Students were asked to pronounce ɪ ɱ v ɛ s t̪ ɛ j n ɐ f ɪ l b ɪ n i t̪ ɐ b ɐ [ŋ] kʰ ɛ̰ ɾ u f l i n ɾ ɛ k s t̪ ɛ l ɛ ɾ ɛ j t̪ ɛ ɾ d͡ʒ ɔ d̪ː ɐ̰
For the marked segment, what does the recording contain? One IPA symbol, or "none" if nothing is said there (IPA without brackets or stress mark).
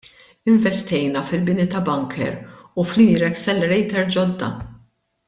ŋ